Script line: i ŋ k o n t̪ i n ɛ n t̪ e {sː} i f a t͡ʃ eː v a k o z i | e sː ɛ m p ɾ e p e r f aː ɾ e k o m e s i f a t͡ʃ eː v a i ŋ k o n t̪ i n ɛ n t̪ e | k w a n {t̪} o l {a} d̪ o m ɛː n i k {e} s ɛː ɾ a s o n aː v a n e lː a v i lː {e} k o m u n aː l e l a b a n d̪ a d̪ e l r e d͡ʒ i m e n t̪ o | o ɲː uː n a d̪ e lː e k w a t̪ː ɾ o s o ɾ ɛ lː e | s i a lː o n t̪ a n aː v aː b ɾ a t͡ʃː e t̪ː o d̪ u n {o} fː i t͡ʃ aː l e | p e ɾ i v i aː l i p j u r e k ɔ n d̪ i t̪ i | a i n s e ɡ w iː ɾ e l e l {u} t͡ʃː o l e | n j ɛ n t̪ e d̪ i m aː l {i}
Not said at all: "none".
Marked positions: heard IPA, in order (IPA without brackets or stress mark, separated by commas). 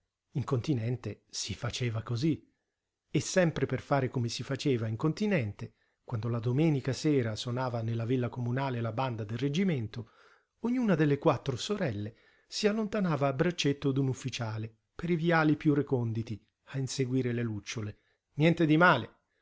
s, d̪, a, a, a, u, u, e